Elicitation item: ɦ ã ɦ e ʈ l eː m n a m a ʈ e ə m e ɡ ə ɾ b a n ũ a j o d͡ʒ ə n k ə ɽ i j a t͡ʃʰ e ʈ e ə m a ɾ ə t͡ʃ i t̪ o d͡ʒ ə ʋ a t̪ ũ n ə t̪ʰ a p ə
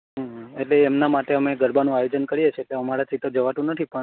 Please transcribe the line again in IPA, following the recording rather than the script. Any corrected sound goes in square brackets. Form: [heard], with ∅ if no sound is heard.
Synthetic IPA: ɦ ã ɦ e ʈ l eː m n a m a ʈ e ə m e ɡ ə ɾ b a n ũ a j o d͡ʒ ə n k ə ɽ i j [e] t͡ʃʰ e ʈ e ə m a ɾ [a] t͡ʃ i t̪ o d͡ʒ ə ʋ a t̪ ũ n ə t̪ʰ [i] p ə